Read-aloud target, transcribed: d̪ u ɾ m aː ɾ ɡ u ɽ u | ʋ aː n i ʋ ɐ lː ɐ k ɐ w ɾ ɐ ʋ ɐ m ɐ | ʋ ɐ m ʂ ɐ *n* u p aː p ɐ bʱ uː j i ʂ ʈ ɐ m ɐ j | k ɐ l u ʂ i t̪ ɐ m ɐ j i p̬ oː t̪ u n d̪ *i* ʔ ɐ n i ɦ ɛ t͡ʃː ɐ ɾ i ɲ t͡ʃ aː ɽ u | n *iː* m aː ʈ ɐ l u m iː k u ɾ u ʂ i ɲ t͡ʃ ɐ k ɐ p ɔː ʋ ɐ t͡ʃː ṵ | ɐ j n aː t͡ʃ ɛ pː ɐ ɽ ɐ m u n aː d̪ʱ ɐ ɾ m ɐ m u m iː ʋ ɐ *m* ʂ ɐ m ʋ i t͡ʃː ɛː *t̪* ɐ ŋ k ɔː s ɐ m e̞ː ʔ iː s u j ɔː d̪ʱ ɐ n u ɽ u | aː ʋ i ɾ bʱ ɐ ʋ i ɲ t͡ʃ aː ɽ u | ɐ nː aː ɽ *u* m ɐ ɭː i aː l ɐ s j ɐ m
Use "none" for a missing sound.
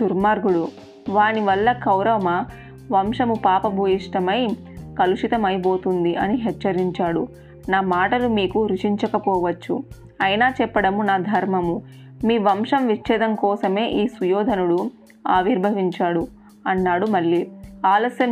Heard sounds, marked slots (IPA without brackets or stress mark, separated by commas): m, i, aː, m, d̪, u